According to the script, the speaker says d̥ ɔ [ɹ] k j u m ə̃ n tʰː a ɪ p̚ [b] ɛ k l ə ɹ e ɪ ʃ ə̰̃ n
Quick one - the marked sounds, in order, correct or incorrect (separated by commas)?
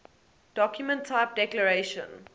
incorrect, incorrect